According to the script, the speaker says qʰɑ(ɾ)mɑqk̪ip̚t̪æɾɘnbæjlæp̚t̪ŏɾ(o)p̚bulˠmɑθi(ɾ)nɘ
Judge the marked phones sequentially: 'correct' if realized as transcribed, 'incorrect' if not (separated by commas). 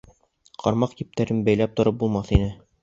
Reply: correct, incorrect, incorrect